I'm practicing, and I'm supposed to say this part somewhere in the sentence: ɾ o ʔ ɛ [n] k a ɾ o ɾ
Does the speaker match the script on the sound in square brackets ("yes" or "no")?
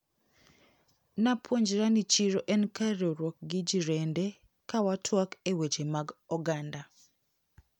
yes